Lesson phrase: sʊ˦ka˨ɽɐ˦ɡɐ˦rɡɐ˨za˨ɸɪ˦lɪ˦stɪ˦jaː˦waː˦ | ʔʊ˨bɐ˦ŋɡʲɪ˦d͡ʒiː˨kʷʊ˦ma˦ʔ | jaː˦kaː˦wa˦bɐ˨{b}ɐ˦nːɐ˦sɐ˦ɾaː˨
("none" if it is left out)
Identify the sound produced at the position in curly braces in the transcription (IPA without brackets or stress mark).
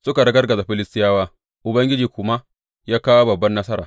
bː